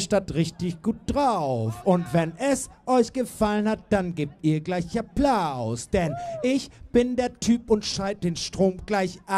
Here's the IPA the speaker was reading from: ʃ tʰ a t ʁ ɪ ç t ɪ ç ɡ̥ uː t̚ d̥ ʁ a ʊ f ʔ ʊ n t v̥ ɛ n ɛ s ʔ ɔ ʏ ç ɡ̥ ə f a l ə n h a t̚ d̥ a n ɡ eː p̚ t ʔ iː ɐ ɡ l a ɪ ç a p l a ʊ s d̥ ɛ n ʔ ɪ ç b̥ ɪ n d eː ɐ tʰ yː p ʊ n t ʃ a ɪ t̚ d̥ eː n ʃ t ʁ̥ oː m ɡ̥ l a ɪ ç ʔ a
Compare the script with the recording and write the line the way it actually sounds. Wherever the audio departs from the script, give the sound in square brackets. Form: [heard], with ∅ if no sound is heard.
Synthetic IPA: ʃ [t] a t ʁ ɪ ç t ɪ ç ɡ̥ uː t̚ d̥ ʁ a ʊ f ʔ ʊ n t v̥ ɛ n ɛ s ʔ ɔ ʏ ç ɡ̥ ə f a l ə n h a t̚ d̥ a n ɡ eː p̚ t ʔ iː ɐ ɡ l a ɪ ç a p l a ʊ s d̥ ɛ n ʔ ɪ ç b̥ ɪ n d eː ɐ tʰ yː p ʊ n t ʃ a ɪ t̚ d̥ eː n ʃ t ʁ̥ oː m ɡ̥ l a ɪ ç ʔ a